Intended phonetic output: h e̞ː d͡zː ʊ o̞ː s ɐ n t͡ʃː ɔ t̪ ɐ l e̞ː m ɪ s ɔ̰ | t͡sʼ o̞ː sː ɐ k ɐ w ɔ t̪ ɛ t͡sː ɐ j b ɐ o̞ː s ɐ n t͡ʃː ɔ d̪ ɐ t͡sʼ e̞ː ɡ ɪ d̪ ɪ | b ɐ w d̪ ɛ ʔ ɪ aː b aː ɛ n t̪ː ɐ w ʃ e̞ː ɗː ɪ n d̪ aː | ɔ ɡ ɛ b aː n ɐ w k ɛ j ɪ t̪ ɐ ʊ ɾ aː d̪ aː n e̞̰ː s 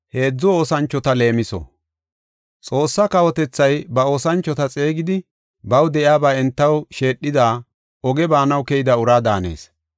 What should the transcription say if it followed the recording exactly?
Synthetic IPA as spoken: h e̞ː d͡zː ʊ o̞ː s ɐ n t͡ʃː ɔ t̪ ɐ l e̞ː m ɪ s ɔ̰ | t͡sʼ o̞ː sː ɐ k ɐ w ɔ t̪ ɛ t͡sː ɐ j b ɐ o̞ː s ɐ n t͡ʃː ɔ t̪ ɐ t͡sʼ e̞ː ɡ ɪ d̪ ɪ | b ɐ w d̪ ɛ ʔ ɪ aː b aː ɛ n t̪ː ɐ w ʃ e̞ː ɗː ɪ d̪ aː | ɔ ɡ ɛ b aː n ɐ w k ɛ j ɪ d̪ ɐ ʊ ɾ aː d̪ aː n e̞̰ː s